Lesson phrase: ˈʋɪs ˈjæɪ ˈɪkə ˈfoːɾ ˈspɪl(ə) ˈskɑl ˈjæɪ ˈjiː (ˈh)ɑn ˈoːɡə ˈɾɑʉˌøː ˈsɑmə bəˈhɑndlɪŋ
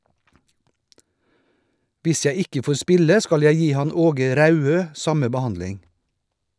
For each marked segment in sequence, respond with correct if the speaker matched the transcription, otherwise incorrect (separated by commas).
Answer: correct, correct